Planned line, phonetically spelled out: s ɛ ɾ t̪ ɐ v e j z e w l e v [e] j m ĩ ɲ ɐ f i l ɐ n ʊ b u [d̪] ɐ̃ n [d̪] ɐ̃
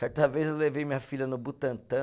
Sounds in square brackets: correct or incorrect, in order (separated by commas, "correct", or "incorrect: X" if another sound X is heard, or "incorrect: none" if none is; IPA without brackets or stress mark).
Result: correct, incorrect: t̪, incorrect: t̪